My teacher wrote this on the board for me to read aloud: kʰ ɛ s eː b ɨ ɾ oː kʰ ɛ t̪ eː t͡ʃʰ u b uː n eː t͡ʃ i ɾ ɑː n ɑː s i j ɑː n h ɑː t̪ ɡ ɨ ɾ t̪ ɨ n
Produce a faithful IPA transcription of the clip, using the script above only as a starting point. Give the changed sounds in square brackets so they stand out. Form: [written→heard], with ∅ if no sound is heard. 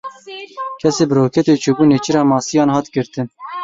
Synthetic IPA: kʰ ɛ s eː b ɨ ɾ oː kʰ ɛ t̪ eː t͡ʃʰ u b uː n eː t͡ʃ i ɾ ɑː [n→m] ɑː s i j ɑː n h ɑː t̪ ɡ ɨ ɾ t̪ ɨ n